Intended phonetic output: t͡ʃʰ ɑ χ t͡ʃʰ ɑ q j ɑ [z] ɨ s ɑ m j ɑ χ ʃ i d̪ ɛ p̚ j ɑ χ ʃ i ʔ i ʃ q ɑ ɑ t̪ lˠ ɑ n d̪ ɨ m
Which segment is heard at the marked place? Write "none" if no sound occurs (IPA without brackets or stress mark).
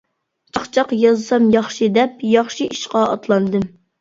z